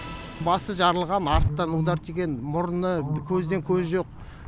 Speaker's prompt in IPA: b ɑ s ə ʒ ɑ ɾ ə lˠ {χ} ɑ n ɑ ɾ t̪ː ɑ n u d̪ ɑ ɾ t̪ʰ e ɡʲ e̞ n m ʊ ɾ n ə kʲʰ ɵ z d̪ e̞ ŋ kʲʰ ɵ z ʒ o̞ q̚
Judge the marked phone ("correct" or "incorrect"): incorrect